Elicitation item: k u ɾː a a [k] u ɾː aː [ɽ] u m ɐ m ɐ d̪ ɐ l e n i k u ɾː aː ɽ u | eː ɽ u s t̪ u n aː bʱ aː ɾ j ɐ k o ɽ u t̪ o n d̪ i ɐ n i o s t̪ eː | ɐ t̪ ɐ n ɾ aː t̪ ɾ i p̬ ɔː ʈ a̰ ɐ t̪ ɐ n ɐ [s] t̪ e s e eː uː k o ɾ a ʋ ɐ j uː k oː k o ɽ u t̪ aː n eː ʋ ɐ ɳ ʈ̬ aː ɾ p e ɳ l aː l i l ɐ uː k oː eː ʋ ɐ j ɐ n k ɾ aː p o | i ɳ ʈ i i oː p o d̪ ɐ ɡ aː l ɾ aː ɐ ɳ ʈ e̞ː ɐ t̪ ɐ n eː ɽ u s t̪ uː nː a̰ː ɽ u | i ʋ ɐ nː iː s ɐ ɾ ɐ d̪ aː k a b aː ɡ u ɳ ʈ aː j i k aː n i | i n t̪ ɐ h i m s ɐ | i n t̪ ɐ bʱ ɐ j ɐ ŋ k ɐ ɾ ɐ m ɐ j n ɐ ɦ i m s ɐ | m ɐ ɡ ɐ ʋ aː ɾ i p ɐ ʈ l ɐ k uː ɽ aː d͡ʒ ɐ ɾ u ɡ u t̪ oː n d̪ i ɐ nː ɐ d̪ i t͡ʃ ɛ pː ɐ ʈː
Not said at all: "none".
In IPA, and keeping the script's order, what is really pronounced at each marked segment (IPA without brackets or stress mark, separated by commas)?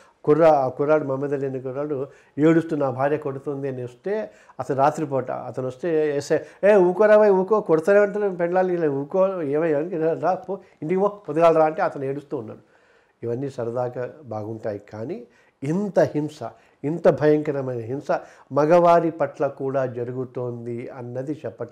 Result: k, ɽ, s